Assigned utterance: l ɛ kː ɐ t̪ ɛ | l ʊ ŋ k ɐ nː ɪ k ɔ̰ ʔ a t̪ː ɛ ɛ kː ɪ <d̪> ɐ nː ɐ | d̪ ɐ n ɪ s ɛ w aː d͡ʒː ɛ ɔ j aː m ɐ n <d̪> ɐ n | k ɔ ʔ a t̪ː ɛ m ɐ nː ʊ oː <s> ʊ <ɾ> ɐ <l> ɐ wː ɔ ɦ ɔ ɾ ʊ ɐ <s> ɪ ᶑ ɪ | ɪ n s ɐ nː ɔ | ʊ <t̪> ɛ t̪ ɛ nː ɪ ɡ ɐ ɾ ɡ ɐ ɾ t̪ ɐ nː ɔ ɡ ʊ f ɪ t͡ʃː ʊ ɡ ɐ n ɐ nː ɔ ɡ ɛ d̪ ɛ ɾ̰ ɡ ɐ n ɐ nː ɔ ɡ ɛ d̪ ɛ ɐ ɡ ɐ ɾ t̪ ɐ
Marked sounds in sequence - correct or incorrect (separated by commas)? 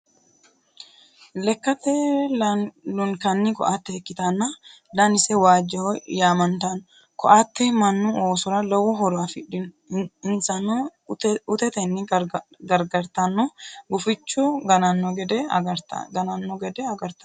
incorrect, incorrect, correct, correct, correct, incorrect, correct